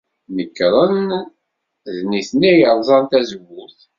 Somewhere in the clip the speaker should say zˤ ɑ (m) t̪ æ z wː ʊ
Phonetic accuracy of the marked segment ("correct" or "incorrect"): incorrect